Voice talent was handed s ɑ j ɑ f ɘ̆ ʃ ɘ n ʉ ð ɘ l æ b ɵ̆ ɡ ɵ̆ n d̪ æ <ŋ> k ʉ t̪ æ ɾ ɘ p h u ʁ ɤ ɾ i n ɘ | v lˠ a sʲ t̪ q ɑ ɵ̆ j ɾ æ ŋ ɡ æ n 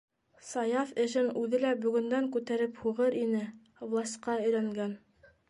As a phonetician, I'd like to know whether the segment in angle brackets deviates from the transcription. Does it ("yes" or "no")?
no